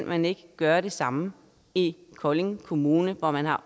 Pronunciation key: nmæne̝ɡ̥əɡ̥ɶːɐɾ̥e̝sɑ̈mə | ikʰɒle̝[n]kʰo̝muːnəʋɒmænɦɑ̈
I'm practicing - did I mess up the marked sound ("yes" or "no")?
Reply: yes